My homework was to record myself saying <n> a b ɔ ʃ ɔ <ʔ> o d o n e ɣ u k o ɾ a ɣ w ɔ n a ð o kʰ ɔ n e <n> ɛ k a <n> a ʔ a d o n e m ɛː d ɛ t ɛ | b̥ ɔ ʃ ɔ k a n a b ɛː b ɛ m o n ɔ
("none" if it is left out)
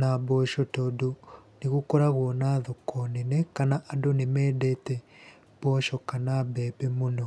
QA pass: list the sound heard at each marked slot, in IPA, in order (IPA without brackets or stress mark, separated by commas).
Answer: n, t, n, n